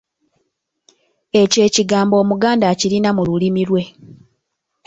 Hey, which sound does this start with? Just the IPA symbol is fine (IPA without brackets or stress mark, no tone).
e̞